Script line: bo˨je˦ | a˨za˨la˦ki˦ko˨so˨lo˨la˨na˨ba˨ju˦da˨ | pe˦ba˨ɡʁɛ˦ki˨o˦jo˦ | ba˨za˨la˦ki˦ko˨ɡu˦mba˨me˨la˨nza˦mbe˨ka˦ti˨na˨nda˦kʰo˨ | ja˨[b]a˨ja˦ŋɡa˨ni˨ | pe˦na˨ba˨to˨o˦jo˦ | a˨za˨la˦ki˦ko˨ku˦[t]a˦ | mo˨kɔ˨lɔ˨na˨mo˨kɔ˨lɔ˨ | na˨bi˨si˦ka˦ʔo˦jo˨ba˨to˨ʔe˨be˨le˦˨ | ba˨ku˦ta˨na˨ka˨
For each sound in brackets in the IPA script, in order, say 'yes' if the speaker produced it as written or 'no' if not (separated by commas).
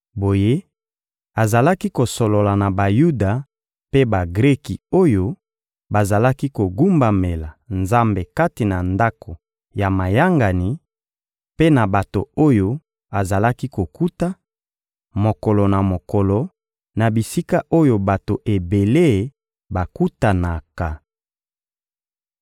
no, yes